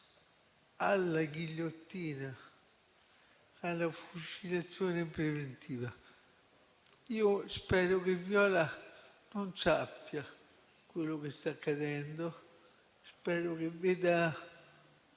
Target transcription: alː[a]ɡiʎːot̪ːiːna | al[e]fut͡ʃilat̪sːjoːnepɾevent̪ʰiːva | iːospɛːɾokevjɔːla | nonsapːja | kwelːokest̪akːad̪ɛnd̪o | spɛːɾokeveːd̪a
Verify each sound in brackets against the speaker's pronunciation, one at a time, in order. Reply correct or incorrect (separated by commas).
correct, incorrect